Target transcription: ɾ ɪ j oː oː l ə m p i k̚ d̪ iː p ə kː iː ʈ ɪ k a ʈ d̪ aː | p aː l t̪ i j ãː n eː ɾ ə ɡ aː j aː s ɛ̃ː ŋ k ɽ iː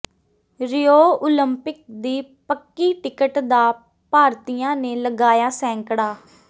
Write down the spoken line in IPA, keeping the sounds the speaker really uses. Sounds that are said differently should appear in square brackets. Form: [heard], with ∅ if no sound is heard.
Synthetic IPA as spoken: ɾ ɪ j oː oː l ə m p [ɪ] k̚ d̪ iː p ə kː iː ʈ ɪ k [ə] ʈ d̪ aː | p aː [ɾ] t̪ i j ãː n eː [l] ə ɡ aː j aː s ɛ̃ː ŋ k ɽ [aː]